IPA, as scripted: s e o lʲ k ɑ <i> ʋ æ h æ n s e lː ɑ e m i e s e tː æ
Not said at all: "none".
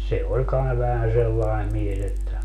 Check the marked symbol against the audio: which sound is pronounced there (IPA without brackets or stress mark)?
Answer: i